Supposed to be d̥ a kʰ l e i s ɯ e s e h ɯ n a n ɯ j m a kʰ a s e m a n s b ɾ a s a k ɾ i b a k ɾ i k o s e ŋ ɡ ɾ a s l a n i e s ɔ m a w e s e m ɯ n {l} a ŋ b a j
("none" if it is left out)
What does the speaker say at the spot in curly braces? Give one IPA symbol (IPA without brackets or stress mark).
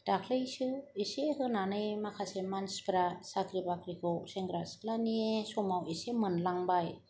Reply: l